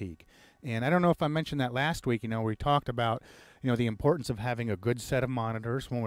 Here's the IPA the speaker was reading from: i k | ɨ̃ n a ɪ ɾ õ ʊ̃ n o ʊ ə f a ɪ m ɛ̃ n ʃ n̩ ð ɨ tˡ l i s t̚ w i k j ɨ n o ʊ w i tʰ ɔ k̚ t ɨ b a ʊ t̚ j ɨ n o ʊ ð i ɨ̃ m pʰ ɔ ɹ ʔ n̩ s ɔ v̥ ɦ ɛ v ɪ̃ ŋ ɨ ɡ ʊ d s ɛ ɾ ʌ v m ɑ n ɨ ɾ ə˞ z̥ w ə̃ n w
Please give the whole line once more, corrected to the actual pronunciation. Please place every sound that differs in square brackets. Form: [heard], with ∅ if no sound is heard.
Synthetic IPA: i k | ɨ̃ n a ɪ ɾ õ ʊ̃ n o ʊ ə f a ɪ m ɛ̃ n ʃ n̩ ð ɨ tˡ l [æ] s t̚ w i k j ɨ n o ʊ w i tʰ ɔ k̚ t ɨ b a ʊ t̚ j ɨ n o ʊ ð i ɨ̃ m pʰ ɔ ɹ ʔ n̩ s [ʌ] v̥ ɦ [æ] v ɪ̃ ŋ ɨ ɡ ʊ d s ɛ ɾ ʌ v m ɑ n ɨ ɾ ə˞ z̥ w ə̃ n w